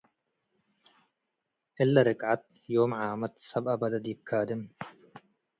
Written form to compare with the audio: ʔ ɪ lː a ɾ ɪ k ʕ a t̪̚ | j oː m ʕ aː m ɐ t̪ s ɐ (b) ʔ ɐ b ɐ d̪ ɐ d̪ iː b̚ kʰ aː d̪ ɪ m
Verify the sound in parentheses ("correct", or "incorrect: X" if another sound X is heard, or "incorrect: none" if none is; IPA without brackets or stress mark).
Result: correct